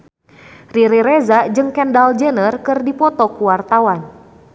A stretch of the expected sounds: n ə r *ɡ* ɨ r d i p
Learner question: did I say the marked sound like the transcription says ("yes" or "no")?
no